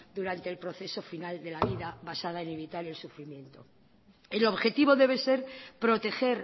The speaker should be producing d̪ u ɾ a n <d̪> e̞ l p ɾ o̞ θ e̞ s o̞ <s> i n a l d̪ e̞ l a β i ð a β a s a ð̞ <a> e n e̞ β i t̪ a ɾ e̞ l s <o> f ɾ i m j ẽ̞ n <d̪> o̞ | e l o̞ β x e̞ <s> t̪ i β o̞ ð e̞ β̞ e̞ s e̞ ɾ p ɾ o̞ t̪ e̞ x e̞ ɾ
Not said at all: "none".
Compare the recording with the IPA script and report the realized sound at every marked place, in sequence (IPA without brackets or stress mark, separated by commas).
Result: t̪, f, a, u, t̪, none